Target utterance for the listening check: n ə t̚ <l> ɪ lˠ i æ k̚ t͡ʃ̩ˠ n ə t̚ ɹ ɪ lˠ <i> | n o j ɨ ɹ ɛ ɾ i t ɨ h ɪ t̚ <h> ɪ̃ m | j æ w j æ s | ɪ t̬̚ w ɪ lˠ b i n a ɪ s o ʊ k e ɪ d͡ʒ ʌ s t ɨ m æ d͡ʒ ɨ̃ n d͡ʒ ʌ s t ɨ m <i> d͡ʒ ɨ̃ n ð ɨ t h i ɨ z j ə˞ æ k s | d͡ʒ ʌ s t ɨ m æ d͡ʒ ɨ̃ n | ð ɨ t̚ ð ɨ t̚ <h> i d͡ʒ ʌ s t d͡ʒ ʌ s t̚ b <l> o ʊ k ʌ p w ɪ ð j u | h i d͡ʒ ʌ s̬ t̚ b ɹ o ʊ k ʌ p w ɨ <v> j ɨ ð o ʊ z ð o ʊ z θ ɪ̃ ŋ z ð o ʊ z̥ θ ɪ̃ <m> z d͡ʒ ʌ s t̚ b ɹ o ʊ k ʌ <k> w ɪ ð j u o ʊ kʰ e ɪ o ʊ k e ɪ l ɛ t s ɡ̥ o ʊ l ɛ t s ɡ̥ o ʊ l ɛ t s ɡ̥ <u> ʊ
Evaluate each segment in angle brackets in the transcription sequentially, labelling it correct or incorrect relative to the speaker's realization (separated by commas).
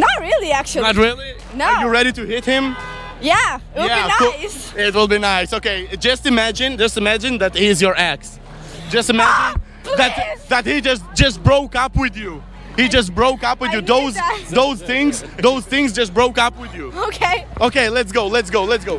incorrect, correct, correct, incorrect, correct, incorrect, incorrect, incorrect, incorrect, incorrect